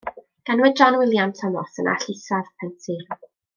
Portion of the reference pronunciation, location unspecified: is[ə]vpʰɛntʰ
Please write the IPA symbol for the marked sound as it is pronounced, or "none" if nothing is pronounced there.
a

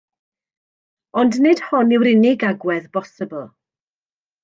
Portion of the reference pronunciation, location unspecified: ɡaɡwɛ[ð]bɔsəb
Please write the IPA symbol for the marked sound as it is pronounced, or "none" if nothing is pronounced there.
ð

